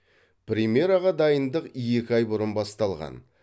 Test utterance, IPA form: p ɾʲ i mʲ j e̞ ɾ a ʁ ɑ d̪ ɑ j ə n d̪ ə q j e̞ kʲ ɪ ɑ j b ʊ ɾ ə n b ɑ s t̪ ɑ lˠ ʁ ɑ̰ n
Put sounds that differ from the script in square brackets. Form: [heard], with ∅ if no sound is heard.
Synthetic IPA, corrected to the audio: p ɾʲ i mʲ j e̞ ɾ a ʁ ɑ d̪ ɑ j ə n d̪ ə q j e̞ kʲ ɪ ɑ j b ʊ ɾ ə n b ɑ s t̪ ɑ lˠ ʁ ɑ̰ n